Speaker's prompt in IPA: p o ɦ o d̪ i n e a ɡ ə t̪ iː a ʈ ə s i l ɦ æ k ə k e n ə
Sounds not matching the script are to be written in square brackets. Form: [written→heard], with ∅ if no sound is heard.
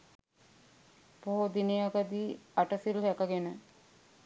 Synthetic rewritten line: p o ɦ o d̪ i n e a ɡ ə [t̪→d̪] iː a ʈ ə s i l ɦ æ k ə [k→ɡ] e n ə